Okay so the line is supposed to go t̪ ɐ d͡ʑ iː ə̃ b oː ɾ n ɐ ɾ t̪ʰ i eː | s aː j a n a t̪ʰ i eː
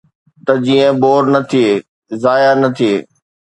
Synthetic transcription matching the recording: t̪ ɐ d͡ʑ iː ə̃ b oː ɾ n ɐ t̪ʰ i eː | z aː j a n ɐ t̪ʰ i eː